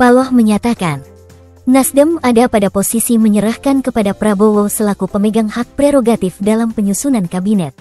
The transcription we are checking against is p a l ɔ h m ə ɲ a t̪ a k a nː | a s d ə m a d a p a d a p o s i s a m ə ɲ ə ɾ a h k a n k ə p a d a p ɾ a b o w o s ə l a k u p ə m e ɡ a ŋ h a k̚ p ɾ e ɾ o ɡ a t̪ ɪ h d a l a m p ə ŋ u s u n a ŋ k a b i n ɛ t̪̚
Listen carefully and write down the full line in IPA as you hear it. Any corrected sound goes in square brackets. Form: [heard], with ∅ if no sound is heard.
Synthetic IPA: p a l ɔ h m ə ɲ a t̪ a k a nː | a s d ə m a d a p a d a p o s i s [i] m ə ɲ ə ɾ a h k a n k ə p a d a p ɾ a b o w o s ə l a k u p ə m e ɡ a ŋ h a k̚ p ɾ e ɾ o ɡ a t̪ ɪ [f] d a l a m p ə [ɲ] u s u n a [n] k a b i n ɛ t̪̚